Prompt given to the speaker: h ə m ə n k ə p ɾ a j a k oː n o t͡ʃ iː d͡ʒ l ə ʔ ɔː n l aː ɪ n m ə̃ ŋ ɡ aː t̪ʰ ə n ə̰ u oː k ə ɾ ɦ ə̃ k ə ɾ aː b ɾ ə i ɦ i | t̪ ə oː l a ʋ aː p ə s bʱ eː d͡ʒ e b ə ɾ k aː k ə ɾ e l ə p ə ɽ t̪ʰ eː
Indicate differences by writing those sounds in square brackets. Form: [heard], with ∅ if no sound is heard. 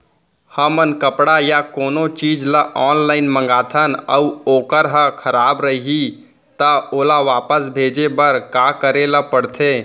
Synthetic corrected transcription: h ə m ə n k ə p [ɽ] a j a k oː n o t͡ʃ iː d͡ʒ l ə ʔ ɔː n l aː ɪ n m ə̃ ŋ ɡ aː t̪ʰ ə n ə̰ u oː k ə ɾ ɦ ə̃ [kʰ] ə ɾ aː b ɾ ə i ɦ i | t̪ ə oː l a ʋ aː p ə s bʱ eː d͡ʒ e b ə ɾ k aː k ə ɾ e l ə p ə ɽ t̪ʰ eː